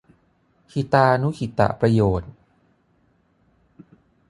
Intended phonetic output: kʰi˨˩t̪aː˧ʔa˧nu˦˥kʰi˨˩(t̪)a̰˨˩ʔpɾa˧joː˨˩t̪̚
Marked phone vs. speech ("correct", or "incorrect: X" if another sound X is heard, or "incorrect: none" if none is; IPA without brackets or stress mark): correct